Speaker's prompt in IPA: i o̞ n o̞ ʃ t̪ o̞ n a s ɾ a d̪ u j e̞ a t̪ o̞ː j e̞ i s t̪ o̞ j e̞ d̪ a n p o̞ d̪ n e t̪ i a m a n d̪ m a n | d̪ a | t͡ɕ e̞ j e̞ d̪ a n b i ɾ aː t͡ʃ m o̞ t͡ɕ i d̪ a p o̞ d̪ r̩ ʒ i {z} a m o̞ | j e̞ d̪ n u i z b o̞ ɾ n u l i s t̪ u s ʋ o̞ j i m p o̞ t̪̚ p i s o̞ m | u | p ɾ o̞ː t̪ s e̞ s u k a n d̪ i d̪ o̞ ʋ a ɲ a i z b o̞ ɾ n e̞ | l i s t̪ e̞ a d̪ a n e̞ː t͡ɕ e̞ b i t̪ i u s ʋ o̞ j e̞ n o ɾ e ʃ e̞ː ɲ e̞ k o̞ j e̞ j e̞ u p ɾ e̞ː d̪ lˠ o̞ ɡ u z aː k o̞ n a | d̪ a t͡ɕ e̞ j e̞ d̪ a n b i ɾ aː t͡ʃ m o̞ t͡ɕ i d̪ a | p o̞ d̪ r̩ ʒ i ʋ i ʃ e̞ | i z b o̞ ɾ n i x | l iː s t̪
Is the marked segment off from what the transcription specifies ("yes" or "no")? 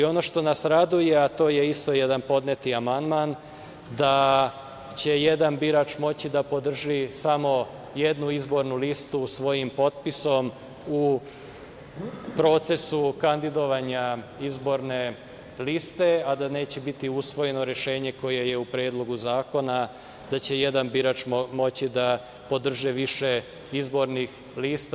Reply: yes